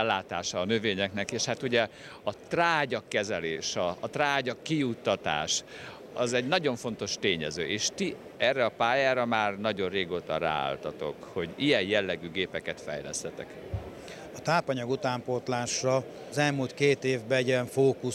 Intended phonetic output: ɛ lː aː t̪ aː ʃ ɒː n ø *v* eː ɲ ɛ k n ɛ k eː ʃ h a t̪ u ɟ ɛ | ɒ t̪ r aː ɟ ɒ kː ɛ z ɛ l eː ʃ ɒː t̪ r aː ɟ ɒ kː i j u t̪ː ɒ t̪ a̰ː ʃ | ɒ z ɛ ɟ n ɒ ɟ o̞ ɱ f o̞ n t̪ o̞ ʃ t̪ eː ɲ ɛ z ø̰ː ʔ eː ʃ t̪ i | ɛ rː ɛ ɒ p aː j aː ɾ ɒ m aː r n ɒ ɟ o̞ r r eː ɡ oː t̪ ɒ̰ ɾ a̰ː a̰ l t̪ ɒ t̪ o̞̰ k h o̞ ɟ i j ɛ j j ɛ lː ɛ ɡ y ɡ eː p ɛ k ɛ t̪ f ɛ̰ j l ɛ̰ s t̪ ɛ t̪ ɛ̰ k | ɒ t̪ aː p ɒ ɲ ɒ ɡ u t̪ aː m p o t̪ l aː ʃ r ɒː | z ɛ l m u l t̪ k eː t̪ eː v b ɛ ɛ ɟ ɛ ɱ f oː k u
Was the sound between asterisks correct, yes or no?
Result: yes